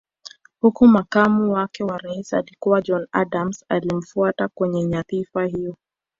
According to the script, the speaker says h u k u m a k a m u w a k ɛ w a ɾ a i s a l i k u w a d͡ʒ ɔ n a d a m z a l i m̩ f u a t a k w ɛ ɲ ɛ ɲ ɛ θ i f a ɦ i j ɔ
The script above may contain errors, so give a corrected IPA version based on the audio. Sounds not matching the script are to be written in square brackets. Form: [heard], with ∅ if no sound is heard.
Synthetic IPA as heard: h u k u m a k a m u w a k ɛ w a ɾ a i s a l i k u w a d͡ʒ ɔ n a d a m [s] a l i m̩ f u a t a k w ɛ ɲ ɛ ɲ [a] θ i f a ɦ i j ɔ